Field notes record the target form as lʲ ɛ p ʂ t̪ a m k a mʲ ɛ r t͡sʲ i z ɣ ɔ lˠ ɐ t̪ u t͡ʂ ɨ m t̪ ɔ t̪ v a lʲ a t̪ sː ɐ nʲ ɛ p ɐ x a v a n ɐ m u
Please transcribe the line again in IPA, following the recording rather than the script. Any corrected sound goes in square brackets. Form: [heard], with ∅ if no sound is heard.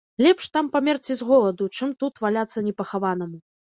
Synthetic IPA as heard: lʲ ɛ p ʂ t̪ a m [p] a mʲ ɛ r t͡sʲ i z ɣ ɔ lˠ ɐ [d̪] u t͡ʂ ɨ m t̪ [u] t̪ v a lʲ a t̪ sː ɐ nʲ ɛ p ɐ x a v a n ɐ m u

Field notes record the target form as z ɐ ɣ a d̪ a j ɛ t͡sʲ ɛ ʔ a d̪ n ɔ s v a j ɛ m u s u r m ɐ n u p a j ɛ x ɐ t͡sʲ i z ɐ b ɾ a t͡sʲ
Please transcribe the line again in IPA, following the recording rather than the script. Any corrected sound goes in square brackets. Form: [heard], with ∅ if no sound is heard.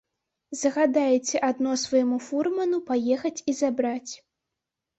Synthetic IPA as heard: z ɐ ɣ a d̪ a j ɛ t͡sʲ ɛ ʔ a d̪ n ɔ s v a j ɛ m u [f] u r m ɐ n u p a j ɛ x ɐ t͡sʲ i z [a] b ɾ a t͡sʲ

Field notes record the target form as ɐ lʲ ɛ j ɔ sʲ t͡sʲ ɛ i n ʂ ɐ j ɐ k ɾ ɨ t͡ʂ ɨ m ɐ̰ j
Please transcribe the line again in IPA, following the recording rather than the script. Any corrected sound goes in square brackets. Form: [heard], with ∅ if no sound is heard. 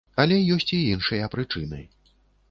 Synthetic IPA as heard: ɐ lʲ ɛ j ɔ sʲ t͡sʲ [i] i n ʂ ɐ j ɐ [p] ɾ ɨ t͡ʂ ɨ [n] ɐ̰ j

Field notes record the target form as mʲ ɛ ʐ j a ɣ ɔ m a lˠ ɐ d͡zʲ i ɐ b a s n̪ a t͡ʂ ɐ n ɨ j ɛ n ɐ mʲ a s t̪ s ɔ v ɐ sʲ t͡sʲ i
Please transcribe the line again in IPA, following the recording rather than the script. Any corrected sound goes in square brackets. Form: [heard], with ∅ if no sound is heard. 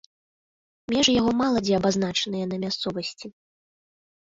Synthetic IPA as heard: mʲ ɛ ʐ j a ɣ ɔ m a lˠ ɐ d͡zʲ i ɐ b a [z] n̪ a t͡ʂ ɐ n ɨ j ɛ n ɐ mʲ a s t̪ s ɔ v ɐ sʲ t͡sʲ i

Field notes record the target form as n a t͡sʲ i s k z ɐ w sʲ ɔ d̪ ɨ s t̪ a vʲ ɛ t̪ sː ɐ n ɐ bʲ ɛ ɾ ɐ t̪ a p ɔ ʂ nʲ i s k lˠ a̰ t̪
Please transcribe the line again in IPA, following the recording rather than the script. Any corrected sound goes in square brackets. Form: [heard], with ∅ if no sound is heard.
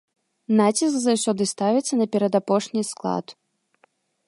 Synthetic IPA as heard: n a t͡sʲ i s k z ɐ w sʲ ɔ d̪ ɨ s t̪ a vʲ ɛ t̪ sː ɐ n ɐ [pʲ] ɛ ɾ ɐ [d̪] a p ɔ ʂ nʲ i s k lˠ a̰ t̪

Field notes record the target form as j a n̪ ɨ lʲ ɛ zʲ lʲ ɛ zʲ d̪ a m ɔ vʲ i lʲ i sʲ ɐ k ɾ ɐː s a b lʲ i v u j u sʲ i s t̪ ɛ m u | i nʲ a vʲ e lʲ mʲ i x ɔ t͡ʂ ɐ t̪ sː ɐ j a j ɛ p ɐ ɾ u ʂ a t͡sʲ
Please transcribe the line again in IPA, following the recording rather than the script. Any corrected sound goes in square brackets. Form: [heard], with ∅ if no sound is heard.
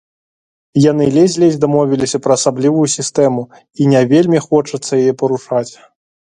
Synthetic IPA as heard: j a n̪ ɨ lʲ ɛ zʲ lʲ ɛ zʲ d̪ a m ɔ vʲ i lʲ i sʲ ɐ [p] ɾ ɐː s a b lʲ i v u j u sʲ i s t̪ ɛ m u | i nʲ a vʲ e lʲ mʲ i x ɔ t͡ʂ ɐ t̪ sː ɐ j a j ɛ p ɐ ɾ u ʂ a t͡sʲ

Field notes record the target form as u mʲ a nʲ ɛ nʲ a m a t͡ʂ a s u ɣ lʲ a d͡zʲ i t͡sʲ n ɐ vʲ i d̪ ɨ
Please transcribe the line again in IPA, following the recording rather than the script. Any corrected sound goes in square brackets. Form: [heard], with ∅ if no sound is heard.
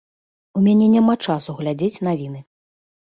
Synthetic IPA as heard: u mʲ a nʲ ɛ nʲ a m a t͡ʂ a s u ɣ lʲ a d͡zʲ [e] t͡sʲ n [a] vʲ i [n̪] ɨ

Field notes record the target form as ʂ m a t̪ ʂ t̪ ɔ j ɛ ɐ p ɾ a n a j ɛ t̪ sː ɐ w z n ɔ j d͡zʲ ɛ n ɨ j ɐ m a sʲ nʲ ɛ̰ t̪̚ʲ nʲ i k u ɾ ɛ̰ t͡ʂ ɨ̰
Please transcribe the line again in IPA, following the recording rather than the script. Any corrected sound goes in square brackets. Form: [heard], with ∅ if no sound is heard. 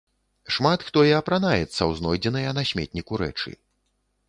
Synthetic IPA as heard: ʂ m a t̪ [x] t̪ ɔ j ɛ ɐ p ɾ a n a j ɛ t̪ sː ɐ w z n ɔ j d͡zʲ ɛ n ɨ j ɐ [n] a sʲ [mʲ] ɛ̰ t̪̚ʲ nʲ i k u ɾ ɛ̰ t͡ʂ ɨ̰

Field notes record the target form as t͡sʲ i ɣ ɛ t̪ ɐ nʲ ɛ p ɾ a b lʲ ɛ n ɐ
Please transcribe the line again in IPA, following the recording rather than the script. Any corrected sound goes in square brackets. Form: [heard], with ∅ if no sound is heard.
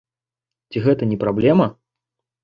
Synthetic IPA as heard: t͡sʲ i ɣ ɛ t̪ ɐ nʲ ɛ p ɾ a b lʲ ɛ [m] ɐ

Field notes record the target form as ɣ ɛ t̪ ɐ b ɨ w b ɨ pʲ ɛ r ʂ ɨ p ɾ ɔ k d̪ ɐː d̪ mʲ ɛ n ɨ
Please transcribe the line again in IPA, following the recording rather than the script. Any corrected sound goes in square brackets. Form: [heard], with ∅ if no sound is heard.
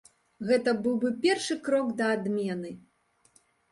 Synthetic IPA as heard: ɣ ɛ t̪ ɐ b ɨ w b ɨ pʲ ɛ r ʂ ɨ [k] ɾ ɔ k d̪ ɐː d̪ mʲ ɛ n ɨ

